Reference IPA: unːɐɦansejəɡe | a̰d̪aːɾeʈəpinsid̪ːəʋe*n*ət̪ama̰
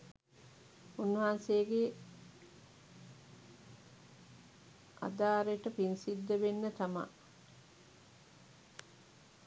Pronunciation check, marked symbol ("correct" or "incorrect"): incorrect